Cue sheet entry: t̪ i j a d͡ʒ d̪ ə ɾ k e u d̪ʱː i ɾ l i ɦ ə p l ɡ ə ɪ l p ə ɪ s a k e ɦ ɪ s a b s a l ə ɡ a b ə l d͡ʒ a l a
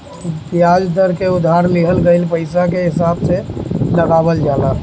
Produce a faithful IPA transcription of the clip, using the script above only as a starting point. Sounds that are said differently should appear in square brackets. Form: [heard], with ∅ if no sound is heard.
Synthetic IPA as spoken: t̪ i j a d͡ʒ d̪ ə ɾ k e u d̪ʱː [a] ɾ l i ɦ ə [∅] l ɡ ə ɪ l p ə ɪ s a k e ɦ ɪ s a b s [e] l ə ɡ a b ə l d͡ʒ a l a